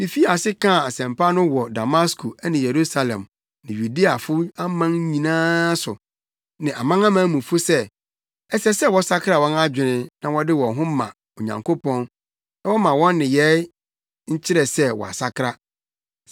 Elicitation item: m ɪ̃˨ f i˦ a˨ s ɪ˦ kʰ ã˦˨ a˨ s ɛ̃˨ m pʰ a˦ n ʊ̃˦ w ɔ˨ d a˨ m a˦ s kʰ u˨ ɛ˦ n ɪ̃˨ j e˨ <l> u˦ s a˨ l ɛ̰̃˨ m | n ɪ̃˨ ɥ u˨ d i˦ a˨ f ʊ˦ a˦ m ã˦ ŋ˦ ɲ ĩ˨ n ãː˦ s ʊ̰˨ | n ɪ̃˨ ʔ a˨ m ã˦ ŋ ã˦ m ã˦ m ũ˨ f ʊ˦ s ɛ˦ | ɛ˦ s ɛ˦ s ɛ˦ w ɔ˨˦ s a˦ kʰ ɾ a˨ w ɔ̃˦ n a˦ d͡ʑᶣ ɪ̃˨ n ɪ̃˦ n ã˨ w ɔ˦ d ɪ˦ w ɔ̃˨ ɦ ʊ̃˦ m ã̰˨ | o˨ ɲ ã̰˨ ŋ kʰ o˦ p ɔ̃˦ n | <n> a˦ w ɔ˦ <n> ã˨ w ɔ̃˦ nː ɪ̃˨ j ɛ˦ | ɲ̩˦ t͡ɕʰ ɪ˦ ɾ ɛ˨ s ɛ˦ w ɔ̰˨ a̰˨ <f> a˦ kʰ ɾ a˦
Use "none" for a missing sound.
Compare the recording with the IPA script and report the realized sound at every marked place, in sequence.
ɾ, n, m, s

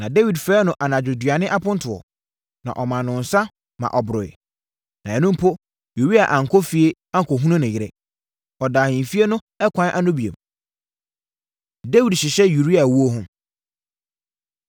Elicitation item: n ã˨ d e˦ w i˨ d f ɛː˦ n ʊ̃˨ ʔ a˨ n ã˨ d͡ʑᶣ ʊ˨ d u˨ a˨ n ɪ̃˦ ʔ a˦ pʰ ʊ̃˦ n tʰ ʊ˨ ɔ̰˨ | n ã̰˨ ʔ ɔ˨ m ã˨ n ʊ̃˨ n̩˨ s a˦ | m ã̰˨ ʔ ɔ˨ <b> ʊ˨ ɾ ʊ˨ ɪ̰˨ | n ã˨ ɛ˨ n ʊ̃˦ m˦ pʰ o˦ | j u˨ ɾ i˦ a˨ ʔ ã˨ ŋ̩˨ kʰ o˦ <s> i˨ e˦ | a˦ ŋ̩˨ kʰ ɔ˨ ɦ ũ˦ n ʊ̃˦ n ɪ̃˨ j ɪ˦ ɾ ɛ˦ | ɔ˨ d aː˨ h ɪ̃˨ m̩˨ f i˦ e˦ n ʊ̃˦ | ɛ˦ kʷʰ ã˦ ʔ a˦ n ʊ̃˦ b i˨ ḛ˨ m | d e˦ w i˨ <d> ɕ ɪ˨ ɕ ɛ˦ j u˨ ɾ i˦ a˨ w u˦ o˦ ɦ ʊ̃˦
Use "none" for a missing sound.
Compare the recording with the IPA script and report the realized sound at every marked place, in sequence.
b, f, d

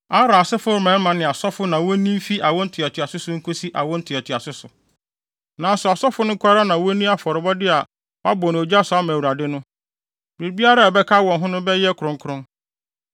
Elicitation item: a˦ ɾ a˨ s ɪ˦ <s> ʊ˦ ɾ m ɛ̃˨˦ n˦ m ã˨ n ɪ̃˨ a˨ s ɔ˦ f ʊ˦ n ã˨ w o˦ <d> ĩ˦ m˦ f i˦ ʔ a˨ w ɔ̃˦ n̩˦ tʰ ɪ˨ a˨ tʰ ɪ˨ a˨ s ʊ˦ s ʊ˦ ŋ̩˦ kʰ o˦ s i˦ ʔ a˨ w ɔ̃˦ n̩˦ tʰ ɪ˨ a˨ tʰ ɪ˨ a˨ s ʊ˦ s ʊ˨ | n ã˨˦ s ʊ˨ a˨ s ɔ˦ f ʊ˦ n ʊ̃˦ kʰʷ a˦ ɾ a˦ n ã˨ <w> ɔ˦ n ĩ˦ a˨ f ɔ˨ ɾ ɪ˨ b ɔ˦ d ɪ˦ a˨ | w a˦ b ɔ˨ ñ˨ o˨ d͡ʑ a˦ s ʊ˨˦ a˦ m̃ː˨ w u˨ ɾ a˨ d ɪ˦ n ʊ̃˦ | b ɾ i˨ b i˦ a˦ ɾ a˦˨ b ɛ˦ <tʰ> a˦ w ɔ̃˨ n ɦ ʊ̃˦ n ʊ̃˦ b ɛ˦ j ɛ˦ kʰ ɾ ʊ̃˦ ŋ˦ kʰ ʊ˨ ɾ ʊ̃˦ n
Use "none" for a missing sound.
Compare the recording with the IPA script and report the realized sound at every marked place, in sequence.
f, n, w, kʰ

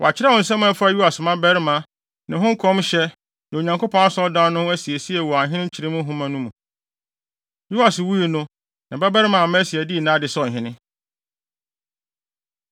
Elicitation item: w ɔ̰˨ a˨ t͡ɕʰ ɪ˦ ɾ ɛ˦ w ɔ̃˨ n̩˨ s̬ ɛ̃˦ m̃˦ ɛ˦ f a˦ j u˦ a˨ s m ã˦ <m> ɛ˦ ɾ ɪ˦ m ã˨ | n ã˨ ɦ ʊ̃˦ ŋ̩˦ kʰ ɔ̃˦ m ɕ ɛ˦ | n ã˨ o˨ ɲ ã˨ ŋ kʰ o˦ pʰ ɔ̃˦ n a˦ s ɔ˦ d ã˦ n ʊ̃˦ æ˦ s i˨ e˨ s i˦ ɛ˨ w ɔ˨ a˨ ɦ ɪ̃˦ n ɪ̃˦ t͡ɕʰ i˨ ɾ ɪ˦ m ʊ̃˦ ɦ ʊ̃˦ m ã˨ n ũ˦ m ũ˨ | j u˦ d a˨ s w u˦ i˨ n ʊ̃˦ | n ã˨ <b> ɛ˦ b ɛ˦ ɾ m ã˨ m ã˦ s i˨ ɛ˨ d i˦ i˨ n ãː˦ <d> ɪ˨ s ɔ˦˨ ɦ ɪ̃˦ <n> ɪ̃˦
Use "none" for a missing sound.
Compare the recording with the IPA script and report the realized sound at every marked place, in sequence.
b, b, d, n

